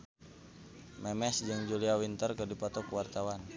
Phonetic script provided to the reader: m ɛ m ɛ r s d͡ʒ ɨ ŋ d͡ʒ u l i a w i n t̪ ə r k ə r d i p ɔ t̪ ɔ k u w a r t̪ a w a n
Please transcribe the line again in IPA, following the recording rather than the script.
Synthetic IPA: m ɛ m ɛ s d͡ʒ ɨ ŋ d͡ʒ u l i a w i n t̪ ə r k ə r d i p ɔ t̪ ɔ k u w a r t̪ a w a n